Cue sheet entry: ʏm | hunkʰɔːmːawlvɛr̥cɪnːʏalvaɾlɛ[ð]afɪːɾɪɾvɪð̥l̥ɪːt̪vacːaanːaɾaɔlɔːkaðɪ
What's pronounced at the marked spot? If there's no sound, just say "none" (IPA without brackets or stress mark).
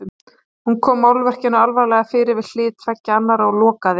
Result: ɣ